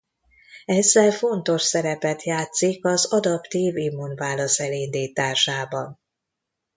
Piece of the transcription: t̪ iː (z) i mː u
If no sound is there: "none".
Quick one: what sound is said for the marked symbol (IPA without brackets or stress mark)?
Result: v